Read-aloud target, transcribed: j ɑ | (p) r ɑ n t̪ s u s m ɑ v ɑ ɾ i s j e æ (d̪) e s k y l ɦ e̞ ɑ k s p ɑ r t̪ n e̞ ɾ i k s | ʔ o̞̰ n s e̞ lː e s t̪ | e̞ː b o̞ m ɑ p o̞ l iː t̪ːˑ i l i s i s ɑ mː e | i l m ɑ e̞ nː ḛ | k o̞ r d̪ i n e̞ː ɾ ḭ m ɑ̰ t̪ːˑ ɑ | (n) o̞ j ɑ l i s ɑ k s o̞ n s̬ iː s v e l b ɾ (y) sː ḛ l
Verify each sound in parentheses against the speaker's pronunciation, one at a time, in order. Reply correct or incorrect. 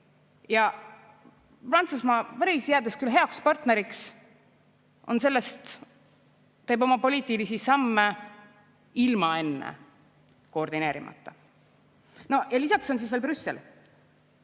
correct, correct, correct, correct

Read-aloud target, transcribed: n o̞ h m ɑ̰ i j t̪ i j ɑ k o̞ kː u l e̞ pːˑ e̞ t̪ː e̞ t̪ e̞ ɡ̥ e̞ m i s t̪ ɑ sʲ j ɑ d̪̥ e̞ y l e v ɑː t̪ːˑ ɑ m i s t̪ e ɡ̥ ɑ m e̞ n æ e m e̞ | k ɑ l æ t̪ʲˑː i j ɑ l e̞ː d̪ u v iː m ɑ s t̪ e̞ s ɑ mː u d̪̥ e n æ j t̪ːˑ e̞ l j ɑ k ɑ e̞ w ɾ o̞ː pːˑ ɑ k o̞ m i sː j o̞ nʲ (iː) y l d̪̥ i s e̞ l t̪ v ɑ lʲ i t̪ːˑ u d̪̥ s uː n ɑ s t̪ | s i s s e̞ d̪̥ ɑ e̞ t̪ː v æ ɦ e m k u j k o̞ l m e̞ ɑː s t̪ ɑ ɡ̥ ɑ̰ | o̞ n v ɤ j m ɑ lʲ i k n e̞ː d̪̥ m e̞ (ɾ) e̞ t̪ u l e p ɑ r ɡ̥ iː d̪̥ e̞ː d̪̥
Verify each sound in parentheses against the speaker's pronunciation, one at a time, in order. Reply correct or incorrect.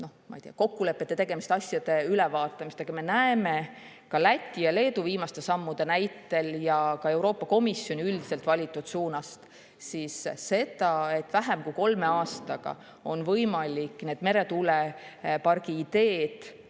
incorrect, correct

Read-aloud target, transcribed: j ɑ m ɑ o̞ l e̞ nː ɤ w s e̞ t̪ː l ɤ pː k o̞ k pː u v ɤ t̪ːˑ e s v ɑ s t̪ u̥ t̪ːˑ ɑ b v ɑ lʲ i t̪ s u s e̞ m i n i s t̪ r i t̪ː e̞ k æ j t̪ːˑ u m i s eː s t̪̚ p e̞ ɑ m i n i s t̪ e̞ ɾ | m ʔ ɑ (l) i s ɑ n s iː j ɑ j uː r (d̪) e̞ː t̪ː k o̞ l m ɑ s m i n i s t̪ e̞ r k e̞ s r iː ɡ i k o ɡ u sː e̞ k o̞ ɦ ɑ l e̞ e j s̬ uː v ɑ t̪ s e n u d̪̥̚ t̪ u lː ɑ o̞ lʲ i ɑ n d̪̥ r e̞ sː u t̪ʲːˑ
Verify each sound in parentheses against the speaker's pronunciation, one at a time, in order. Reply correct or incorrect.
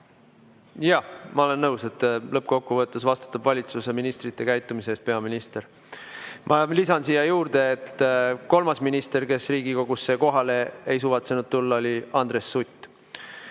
correct, correct

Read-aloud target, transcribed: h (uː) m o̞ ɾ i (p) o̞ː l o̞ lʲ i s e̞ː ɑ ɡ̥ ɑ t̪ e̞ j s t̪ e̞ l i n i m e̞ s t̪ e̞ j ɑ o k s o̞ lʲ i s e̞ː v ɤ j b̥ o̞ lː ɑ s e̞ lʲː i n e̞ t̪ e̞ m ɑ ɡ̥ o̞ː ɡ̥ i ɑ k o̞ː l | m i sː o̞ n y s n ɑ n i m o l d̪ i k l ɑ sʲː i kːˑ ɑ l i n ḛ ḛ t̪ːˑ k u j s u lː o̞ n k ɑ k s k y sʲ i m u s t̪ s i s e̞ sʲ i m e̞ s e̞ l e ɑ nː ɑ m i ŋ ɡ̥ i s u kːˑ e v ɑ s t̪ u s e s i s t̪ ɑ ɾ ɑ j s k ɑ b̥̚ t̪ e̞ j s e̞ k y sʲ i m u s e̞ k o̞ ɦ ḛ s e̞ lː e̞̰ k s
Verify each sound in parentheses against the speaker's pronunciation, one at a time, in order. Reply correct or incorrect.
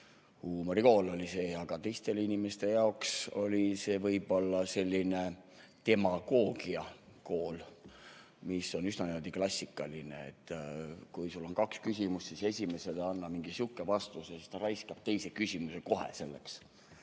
correct, incorrect

